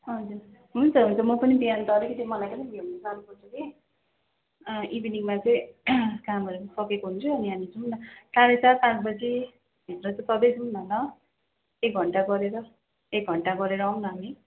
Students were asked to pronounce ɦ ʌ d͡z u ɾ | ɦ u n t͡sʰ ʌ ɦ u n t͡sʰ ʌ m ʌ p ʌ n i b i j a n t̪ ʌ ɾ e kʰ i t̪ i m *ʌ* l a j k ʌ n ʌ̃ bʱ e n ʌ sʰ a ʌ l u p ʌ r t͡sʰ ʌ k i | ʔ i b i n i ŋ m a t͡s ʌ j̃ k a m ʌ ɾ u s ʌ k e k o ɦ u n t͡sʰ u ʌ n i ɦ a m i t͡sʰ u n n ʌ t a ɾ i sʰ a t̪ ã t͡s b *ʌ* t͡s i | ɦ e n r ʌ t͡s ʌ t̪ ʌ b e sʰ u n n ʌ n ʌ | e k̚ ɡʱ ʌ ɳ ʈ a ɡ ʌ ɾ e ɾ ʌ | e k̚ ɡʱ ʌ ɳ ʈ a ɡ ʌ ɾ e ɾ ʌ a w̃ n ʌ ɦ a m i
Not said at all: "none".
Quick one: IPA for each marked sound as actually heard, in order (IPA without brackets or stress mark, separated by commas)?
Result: ʌ, ʌ